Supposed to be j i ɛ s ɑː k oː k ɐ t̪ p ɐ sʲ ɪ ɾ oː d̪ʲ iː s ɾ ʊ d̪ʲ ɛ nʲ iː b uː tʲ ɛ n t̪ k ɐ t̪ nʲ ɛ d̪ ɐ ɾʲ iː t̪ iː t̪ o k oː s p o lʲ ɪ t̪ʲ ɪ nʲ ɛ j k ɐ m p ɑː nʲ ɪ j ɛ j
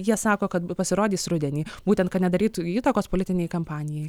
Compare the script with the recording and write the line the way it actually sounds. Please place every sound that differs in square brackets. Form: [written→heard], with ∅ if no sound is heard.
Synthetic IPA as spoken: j i ɛ s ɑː k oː k ɐ t̪ p ɐ sʲ ɪ ɾ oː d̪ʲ iː s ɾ ʊ d̪ʲ ɛ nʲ iː b uː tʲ ɛ n t̪ k ɐ t̪ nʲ ɛ d̪ ɐ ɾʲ iː t̪ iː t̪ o k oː s p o lʲ ɪ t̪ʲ ɪ nʲ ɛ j k ɐ m p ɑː nʲ ɪ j ɛ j